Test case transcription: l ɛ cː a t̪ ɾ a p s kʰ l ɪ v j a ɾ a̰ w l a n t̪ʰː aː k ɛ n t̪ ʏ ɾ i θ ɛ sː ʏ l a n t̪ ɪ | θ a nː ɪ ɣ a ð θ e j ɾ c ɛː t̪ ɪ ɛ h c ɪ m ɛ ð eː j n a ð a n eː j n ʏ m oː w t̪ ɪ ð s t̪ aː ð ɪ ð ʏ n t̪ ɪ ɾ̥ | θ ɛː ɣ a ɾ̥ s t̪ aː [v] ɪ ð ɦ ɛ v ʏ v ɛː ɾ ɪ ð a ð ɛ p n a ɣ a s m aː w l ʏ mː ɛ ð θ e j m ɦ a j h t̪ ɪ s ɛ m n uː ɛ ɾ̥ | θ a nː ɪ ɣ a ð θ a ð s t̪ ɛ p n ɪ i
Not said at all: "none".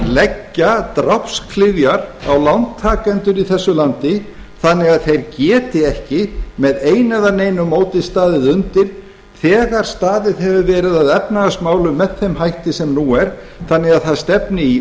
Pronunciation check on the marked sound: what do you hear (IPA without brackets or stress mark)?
ð